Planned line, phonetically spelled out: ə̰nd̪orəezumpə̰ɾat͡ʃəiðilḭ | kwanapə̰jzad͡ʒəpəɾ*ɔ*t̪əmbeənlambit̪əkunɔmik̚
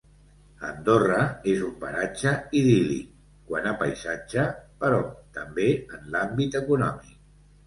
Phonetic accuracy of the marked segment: correct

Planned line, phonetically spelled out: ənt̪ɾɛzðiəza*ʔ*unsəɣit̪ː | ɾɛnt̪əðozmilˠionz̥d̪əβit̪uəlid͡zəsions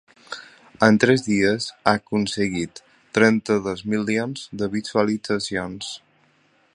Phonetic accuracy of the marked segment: incorrect: k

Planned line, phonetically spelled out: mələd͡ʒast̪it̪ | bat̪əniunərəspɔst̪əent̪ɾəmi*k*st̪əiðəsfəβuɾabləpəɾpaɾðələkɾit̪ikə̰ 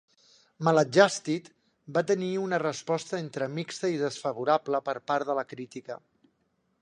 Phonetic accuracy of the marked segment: correct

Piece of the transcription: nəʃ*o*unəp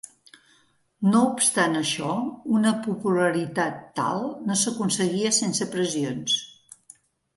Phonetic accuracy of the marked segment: incorrect: ɔ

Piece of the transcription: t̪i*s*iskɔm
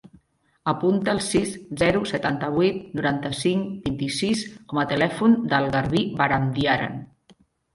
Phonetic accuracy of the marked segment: correct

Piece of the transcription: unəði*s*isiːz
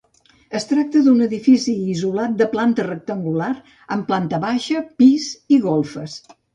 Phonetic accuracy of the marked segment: incorrect: f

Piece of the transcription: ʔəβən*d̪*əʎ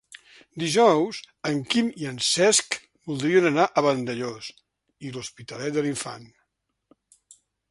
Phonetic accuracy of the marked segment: correct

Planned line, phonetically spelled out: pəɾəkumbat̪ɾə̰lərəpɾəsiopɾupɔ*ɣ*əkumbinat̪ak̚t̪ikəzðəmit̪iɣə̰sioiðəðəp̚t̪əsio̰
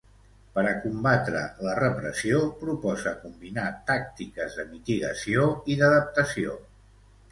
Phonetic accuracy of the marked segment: incorrect: z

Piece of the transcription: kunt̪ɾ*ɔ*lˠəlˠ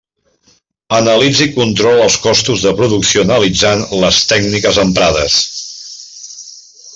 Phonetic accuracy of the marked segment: correct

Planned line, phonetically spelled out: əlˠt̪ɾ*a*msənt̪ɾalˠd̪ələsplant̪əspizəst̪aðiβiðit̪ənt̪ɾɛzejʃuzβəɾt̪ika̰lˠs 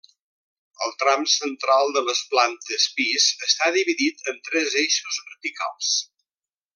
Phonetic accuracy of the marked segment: correct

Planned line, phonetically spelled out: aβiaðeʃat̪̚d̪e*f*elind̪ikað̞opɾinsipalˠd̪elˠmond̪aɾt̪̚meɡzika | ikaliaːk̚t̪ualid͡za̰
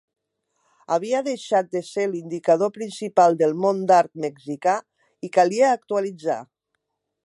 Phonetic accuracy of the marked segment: incorrect: s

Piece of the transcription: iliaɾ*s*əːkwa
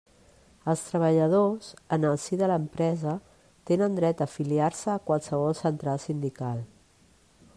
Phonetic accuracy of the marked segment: correct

